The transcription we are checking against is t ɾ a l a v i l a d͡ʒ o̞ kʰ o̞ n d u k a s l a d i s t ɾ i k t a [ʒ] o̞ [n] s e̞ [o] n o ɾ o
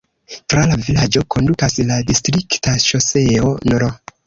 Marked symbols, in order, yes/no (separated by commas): no, no, yes